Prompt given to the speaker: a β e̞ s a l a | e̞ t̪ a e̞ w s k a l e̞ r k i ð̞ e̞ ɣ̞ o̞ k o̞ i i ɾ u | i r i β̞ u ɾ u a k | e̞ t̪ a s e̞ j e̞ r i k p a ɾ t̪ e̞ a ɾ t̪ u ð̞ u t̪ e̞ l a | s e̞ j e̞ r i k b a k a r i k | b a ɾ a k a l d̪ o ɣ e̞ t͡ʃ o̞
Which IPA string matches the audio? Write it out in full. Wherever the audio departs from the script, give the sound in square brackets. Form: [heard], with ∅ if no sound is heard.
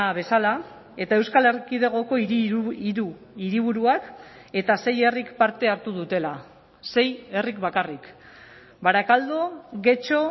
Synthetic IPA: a β e̞ s a l a | e̞ t̪ a e̞ w s k a l e̞ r k i ð̞ e̞ ɣ̞ o̞ k o̞ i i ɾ u | i [ɾ] i β̞ u ɾ u a k | e̞ t̪ a s e̞ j e̞ r i k p a ɾ t̪ e̞ a ɾ t̪ u ð̞ u t̪ e̞ l a | s e̞ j e̞ r i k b a k a r i k | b a ɾ a k a l d̪ o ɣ e̞ t͡ʃ o̞